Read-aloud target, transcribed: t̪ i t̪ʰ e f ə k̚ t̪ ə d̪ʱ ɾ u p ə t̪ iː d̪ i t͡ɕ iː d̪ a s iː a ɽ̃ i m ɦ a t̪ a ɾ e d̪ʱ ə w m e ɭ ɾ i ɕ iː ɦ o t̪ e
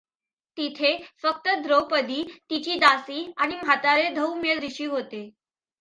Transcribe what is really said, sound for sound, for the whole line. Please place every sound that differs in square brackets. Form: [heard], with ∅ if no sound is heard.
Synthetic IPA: t̪ i t̪ʰ e f ə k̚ t̪ ə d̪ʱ ɾ [o] p ə [d̪] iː [t̪] i t͡ɕ iː d̪ a s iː a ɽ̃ i m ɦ a t̪ a ɾ e d̪ʱ ə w m e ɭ ɾ i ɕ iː ɦ o t̪ e